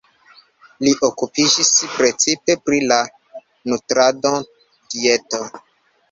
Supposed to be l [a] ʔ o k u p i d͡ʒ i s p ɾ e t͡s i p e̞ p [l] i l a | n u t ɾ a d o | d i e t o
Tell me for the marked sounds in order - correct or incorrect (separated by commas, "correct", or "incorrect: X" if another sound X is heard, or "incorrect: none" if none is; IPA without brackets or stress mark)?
incorrect: i, incorrect: ɾ